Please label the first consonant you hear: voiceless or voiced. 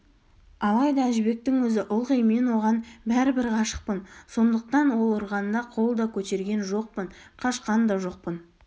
voiced